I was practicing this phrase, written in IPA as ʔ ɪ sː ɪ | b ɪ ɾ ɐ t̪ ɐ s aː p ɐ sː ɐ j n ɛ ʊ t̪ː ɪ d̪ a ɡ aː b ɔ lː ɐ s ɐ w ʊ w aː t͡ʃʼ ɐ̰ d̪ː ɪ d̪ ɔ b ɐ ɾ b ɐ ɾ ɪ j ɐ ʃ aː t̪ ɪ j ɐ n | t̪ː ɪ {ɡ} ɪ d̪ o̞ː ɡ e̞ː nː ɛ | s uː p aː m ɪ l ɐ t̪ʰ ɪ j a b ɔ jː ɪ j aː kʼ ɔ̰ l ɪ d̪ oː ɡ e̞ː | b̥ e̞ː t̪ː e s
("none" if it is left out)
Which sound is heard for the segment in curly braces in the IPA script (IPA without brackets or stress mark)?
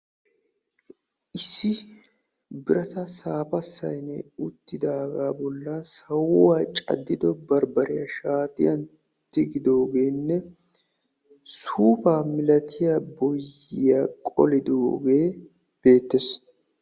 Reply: ɡ